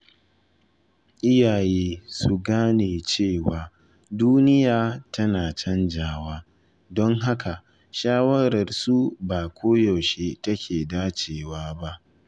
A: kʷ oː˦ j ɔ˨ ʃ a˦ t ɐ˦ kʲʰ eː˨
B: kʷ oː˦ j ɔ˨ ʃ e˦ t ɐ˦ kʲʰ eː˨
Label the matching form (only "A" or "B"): B